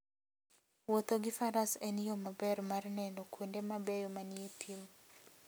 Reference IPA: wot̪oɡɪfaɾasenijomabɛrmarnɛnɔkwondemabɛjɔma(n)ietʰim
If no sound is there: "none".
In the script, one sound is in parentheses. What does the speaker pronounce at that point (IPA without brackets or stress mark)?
n